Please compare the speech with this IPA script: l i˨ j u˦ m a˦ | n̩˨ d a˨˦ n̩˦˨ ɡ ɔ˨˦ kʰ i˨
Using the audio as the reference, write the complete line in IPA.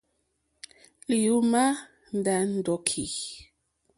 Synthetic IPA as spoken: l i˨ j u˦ m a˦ | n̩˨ d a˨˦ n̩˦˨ d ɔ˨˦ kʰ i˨